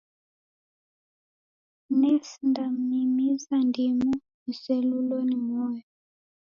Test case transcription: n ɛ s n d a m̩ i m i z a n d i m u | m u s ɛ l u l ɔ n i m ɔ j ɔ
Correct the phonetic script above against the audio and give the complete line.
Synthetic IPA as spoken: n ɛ s n d a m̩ i m i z a n d i m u | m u s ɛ l u l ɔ n i m ɔ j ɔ